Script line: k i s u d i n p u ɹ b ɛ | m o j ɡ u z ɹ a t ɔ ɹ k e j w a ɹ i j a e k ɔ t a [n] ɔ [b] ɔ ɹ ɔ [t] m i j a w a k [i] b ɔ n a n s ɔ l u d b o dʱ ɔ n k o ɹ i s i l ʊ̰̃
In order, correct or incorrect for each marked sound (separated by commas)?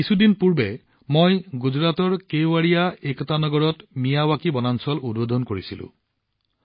correct, incorrect, correct, correct